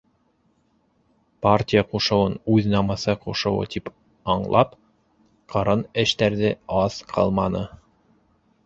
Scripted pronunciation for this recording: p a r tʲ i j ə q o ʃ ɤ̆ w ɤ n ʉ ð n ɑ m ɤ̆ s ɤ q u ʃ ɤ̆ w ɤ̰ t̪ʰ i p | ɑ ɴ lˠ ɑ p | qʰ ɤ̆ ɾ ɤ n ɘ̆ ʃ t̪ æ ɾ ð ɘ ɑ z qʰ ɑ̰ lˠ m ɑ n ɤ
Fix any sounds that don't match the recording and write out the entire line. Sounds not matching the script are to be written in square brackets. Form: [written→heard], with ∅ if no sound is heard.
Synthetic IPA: p a r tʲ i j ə q [o→u] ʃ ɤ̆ w ɤ n ʉ ð n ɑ m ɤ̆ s ɤ q u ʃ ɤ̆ w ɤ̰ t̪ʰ i p | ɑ ɴ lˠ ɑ p | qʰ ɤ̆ ɾ ɤ n ɘ̆ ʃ t̪ æ ɾ ð ɘ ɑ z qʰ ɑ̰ lˠ m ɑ n ɤ